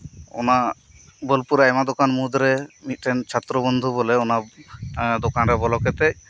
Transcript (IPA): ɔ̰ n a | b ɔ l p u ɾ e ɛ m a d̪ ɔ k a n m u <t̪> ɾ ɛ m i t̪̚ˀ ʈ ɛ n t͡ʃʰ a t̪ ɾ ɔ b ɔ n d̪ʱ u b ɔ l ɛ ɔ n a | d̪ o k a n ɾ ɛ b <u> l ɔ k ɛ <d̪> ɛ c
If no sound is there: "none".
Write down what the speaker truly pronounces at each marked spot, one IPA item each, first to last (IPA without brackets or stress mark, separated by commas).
d̪, ɔ, t̪